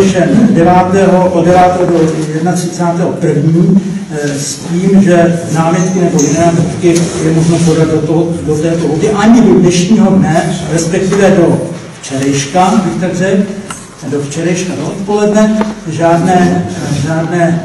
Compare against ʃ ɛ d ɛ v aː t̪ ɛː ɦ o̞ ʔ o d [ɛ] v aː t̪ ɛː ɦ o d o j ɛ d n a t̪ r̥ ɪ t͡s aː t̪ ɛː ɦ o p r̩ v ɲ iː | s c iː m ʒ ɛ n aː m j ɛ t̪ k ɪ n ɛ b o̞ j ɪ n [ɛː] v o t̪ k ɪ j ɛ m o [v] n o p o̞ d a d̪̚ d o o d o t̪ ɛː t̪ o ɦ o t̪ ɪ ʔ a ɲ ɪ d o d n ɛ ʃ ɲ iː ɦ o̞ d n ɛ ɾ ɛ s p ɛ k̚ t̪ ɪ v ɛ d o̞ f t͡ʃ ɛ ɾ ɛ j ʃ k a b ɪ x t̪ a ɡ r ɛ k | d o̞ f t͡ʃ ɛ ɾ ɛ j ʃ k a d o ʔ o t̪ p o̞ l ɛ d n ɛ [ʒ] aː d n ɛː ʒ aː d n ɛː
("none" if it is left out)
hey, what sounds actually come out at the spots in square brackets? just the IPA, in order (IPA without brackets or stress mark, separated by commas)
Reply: ɛ, ɛː, ʒ, ʒ